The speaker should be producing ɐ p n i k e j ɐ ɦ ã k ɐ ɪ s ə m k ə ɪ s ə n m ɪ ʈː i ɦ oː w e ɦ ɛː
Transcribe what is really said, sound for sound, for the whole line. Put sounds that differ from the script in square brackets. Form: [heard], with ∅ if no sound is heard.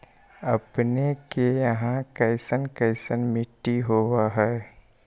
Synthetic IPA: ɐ p n [e] k e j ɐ ɦ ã k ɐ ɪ s ə [n] k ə ɪ s ə n m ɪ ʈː i ɦ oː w [a] ɦ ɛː